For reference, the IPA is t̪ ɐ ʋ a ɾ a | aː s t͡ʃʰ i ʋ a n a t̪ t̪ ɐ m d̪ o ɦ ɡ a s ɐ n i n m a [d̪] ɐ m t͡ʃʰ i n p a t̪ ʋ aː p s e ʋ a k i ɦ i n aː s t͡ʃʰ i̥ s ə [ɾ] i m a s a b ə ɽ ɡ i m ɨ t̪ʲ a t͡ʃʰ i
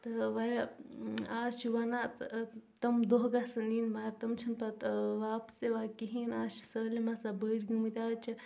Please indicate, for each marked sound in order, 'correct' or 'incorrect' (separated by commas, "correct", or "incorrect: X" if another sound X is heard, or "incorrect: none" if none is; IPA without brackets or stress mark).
incorrect: t̪, incorrect: l